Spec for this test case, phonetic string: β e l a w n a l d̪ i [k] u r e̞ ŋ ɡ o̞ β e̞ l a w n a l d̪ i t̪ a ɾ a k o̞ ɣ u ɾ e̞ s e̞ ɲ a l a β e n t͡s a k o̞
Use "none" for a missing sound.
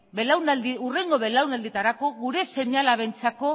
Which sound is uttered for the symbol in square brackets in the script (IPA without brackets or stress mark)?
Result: none